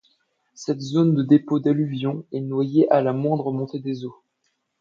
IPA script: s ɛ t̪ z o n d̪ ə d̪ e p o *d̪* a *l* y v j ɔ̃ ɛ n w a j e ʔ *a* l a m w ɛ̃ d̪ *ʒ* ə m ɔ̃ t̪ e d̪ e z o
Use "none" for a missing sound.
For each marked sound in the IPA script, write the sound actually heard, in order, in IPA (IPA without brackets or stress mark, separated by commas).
d̪, l, a, ʁ